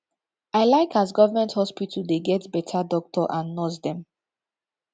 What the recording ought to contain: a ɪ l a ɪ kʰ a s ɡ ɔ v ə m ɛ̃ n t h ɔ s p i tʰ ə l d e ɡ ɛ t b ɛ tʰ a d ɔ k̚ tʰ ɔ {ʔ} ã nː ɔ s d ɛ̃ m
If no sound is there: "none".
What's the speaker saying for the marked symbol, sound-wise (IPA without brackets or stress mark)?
ʔ